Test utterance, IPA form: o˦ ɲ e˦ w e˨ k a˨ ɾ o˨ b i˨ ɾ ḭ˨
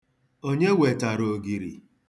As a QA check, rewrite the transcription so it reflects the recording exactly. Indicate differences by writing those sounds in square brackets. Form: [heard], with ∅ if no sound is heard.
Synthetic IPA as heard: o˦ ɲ e˦ w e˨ [t] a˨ ɾ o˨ [ɡ] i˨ ɾ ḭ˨